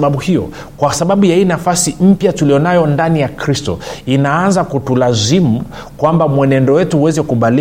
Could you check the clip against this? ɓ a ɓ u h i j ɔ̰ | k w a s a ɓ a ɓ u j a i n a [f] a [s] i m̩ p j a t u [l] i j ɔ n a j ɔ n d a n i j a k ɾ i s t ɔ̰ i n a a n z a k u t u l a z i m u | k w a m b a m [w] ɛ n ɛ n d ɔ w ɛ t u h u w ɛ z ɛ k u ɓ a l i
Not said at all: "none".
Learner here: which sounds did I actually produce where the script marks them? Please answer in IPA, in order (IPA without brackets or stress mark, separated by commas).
f, s, l, w